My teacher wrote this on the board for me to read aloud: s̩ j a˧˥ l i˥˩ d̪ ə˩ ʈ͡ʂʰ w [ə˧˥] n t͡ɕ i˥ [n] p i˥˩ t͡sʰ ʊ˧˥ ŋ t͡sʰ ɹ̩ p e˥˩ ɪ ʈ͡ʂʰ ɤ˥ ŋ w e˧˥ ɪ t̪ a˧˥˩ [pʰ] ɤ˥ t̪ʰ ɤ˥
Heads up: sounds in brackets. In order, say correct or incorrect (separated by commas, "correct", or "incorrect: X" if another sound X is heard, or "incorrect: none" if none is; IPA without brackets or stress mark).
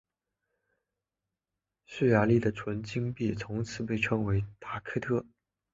correct, incorrect: ŋ, incorrect: kʰ